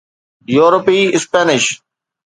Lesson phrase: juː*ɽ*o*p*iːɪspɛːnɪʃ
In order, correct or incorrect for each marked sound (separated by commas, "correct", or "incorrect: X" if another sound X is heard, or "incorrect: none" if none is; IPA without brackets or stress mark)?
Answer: incorrect: ɾ, correct